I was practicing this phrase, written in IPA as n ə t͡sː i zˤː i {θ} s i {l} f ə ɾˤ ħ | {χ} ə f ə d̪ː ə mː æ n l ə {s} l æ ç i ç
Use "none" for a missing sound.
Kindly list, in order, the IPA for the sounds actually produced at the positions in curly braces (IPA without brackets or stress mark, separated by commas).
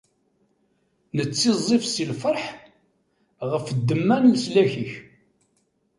f, l, ʁ, s